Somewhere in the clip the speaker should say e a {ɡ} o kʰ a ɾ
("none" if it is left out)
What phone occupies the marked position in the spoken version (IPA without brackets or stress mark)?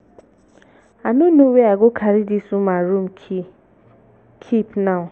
ɡ